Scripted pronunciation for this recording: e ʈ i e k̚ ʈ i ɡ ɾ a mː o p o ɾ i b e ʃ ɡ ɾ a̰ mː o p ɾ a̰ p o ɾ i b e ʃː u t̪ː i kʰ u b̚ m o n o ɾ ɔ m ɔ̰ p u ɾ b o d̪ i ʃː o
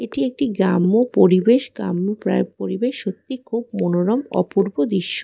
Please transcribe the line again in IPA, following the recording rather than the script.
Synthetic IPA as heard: e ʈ i e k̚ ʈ i ɡ ɾ a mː o p o ɾ i b e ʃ ɡ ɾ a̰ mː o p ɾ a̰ p o ɾ i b e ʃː o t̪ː i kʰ u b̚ m o n o ɾ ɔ m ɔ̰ p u ɾ b o d̪ i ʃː o